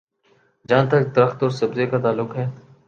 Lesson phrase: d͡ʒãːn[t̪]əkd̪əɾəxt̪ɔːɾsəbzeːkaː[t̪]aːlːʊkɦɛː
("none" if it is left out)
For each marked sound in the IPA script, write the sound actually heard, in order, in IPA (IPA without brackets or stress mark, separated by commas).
t̪, t̪